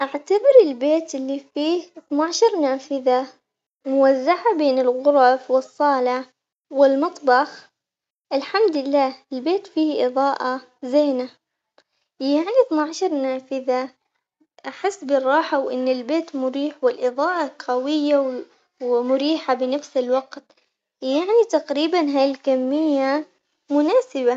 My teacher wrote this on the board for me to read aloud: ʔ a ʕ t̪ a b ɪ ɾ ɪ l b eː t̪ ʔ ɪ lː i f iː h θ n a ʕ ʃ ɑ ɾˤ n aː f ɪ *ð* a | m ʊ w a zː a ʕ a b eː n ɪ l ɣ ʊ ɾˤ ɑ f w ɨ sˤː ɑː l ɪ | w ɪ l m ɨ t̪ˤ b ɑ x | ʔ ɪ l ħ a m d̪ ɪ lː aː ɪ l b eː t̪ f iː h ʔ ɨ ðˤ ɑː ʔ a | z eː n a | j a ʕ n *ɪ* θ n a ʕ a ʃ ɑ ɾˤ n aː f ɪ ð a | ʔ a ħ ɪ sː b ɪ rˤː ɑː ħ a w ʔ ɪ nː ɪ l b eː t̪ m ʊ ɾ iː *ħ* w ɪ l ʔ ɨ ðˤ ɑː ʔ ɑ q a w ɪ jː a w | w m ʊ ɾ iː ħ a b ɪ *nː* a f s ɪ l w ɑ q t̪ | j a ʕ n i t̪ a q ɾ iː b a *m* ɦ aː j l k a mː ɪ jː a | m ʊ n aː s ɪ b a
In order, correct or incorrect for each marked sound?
correct, incorrect, correct, incorrect, incorrect

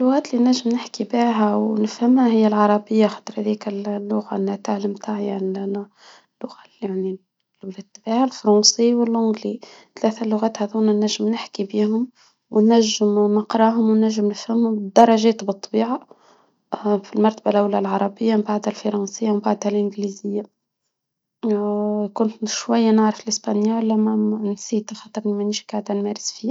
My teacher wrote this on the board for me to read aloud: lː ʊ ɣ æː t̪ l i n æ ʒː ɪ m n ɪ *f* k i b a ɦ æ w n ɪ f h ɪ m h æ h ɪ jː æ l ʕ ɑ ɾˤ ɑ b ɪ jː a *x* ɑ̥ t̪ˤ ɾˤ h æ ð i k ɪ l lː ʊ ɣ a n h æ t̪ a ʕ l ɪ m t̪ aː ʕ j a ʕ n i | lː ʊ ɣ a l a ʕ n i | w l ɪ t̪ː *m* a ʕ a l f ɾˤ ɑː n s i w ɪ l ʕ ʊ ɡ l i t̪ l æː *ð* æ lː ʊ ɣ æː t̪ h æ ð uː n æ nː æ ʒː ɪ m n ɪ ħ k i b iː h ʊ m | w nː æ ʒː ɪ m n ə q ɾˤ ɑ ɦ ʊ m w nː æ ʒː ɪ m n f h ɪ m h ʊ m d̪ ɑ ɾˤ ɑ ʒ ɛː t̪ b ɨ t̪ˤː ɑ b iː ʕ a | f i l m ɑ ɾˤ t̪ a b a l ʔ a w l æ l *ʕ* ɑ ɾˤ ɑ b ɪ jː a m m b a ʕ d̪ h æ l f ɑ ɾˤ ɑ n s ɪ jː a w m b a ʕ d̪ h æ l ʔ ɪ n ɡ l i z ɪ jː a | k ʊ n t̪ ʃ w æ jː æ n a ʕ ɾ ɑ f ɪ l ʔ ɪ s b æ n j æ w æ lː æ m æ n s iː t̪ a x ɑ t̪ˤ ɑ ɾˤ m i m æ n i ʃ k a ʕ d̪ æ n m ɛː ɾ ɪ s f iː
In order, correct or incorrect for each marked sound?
incorrect, correct, incorrect, incorrect, correct

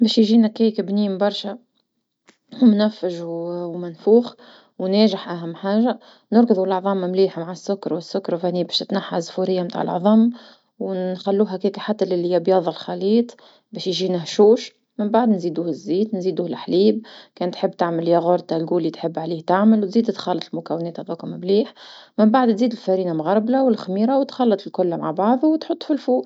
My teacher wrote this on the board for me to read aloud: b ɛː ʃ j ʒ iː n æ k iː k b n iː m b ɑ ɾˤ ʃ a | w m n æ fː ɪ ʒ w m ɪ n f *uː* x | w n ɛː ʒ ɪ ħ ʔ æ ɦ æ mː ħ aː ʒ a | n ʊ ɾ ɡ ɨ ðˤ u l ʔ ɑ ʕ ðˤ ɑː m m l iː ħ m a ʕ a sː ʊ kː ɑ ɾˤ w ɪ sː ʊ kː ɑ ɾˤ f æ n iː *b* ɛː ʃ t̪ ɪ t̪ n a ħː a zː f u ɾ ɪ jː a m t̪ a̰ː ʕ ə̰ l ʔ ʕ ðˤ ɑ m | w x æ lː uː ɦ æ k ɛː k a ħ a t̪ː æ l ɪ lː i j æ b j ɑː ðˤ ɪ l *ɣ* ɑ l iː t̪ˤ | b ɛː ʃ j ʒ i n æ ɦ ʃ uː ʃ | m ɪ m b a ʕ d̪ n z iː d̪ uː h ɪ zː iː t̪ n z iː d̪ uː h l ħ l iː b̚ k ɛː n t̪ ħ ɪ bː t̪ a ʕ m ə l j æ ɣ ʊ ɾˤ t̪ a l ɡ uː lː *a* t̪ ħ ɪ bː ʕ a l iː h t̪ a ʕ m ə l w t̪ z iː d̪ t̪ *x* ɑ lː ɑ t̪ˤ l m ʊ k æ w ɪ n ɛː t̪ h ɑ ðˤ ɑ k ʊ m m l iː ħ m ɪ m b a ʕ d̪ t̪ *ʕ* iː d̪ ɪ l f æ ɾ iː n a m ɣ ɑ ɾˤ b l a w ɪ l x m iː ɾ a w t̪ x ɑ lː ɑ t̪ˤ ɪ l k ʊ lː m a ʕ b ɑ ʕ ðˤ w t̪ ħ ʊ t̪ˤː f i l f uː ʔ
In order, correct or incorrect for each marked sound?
correct, correct, incorrect, incorrect, correct, incorrect

